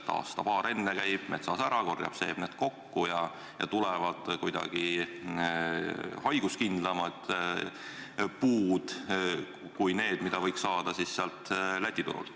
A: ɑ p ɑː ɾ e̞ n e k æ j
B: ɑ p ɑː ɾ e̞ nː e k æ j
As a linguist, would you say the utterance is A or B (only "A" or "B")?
B